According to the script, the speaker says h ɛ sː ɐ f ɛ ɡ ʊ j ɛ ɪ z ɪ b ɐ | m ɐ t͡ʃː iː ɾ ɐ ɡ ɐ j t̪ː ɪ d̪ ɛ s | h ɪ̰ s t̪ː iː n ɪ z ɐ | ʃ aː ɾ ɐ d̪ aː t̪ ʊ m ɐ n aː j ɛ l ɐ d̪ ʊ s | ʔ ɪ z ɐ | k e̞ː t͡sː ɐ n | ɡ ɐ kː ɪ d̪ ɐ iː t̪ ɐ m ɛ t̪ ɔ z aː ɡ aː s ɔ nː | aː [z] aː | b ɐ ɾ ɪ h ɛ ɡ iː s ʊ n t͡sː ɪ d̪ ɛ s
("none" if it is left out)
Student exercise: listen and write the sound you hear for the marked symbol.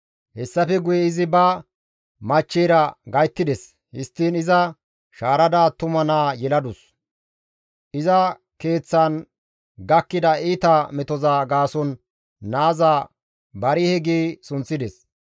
z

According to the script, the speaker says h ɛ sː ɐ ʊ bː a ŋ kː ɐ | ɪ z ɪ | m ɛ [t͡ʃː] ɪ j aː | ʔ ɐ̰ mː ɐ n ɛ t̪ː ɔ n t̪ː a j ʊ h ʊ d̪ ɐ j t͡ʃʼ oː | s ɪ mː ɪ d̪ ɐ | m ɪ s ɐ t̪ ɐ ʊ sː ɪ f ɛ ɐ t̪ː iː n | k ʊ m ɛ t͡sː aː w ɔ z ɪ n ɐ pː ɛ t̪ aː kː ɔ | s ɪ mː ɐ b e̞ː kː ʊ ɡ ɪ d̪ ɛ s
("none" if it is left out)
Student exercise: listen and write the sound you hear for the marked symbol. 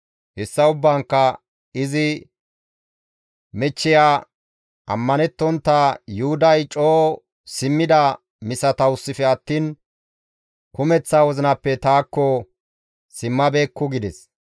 t͡ʃː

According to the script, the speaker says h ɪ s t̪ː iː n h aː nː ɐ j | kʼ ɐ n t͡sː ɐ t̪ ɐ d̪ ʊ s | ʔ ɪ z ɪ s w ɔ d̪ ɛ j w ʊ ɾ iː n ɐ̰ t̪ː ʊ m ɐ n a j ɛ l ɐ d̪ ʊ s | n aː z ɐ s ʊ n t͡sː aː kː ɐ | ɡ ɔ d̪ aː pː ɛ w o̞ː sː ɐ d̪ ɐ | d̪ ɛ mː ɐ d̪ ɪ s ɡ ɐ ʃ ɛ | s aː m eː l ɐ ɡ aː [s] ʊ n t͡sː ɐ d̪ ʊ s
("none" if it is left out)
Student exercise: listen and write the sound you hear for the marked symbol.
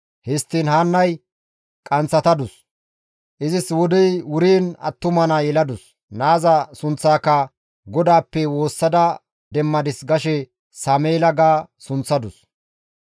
s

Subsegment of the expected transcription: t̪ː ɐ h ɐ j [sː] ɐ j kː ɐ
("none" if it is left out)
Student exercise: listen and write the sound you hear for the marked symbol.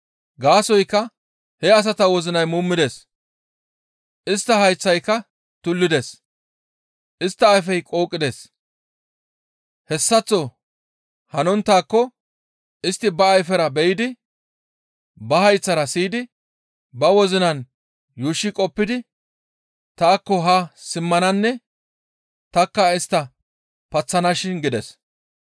t͡sː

